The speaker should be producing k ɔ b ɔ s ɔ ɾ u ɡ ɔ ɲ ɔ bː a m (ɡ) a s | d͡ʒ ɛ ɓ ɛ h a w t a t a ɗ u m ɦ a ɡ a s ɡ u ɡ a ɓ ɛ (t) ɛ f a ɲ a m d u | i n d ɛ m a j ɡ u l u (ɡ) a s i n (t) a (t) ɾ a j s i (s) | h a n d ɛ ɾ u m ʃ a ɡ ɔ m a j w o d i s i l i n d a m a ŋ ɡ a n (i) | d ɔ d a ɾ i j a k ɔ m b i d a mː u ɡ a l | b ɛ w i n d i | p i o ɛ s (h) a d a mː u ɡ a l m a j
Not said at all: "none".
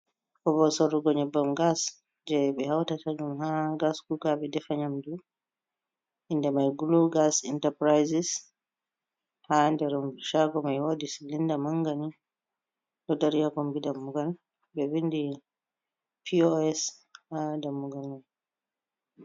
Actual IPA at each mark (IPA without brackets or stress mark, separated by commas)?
ɡ, d, ɡ, t, p, s, i, h